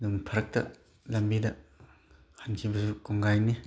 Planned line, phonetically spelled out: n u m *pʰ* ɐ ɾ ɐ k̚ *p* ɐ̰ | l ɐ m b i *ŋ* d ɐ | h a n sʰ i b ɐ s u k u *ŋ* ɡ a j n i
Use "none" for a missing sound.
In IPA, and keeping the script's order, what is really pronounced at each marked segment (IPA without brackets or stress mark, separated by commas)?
pʰ, t, none, ŋ